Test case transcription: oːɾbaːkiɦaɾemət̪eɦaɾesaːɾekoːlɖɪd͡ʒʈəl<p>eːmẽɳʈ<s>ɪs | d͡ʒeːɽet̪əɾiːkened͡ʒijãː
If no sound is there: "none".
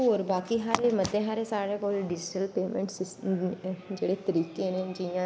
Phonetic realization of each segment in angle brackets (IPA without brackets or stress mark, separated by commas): p, s